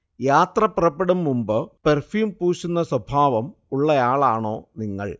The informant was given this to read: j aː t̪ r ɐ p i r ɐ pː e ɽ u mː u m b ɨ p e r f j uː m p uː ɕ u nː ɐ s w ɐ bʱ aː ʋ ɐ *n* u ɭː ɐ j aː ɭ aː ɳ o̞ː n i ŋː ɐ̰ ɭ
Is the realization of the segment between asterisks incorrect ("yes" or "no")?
yes